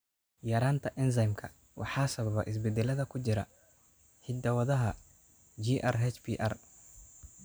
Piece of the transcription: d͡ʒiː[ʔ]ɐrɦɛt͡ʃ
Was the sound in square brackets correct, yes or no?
yes